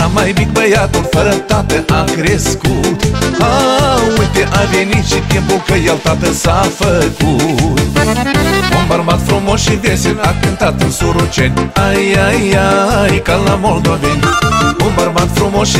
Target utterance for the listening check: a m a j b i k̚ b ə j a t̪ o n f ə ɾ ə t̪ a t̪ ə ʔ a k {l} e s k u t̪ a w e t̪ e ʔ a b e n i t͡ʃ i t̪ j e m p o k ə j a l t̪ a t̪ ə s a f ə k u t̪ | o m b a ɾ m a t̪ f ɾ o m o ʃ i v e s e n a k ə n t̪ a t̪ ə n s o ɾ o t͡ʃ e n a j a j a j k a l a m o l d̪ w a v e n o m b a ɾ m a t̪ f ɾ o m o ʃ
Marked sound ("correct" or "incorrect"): incorrect